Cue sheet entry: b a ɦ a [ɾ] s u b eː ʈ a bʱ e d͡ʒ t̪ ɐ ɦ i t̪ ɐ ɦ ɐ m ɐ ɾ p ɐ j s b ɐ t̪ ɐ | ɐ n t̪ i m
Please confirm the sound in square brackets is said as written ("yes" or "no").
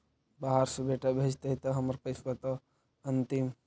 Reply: yes